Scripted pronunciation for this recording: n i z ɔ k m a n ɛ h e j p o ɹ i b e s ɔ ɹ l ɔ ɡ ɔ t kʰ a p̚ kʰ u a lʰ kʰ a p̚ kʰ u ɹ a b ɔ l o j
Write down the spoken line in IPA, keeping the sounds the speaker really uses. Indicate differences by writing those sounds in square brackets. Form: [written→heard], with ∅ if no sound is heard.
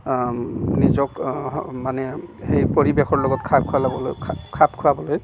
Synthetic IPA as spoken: n i z ɔ k m a n ɛ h e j p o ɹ i b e [s→x] ɔ ɹ l ɔ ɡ ɔ t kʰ a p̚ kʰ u a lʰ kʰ a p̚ kʰ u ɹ a b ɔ l o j